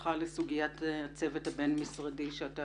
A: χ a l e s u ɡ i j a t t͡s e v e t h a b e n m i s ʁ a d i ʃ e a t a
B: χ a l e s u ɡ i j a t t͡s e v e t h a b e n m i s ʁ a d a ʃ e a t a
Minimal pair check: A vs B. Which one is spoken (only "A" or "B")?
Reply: A